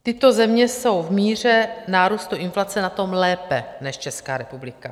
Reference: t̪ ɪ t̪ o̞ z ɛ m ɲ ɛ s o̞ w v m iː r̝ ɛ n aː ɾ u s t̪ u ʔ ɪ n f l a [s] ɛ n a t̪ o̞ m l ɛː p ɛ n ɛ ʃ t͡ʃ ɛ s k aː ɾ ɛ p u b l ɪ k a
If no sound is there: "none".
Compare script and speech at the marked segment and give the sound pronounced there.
t͡s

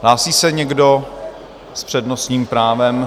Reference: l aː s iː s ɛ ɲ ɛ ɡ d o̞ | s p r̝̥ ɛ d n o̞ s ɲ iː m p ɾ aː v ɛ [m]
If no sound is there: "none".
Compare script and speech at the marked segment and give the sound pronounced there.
m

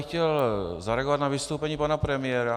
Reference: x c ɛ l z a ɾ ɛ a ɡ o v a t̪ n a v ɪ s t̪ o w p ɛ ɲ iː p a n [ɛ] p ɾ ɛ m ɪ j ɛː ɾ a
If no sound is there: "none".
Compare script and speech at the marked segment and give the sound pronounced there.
a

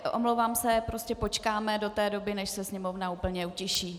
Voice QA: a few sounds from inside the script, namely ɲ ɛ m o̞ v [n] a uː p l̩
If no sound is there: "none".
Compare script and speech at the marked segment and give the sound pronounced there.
n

